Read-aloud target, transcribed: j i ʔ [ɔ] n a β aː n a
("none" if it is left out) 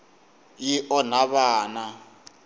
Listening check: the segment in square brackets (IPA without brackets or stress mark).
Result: ɔ